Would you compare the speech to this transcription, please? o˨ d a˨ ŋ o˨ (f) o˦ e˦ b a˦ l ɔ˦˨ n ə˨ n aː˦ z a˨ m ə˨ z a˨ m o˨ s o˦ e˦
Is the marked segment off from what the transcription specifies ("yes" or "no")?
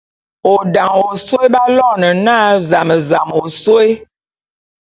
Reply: yes